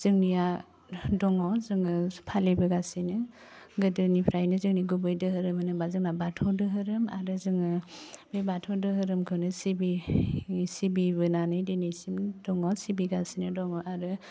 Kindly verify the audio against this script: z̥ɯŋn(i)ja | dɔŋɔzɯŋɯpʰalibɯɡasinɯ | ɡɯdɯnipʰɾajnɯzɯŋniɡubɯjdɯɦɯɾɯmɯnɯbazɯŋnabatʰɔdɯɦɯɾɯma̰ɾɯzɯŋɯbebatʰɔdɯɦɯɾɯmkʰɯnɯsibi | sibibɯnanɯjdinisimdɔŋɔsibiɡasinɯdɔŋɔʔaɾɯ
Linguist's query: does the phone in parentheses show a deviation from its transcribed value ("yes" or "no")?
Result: no